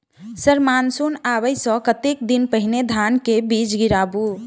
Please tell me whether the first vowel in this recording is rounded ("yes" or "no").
no